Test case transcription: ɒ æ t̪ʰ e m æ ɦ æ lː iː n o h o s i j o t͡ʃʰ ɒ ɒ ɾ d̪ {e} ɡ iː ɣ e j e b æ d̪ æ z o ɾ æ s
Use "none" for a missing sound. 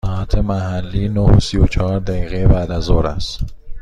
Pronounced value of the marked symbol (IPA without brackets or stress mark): æ